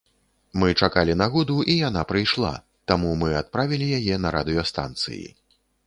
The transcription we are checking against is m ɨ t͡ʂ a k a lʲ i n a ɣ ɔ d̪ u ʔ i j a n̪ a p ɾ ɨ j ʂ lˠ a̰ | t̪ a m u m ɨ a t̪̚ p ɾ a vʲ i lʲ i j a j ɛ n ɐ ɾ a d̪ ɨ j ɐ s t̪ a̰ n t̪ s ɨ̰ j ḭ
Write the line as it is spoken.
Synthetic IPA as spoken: m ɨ t͡ʂ a k a lʲ i n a ɣ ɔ d̪ u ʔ i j a n̪ a p ɾ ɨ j ʂ lˠ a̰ | t̪ a m u m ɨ a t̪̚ p ɾ a vʲ i lʲ i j a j ɛ n ɐ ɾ a d̪ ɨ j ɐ s t̪ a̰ n t̪ s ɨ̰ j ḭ